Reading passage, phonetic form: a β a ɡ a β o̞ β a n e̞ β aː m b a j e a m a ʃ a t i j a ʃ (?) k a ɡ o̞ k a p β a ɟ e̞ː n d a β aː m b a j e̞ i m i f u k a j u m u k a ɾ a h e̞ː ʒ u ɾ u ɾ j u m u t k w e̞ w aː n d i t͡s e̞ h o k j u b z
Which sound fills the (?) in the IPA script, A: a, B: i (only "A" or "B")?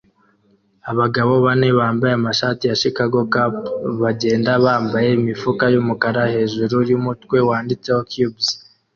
B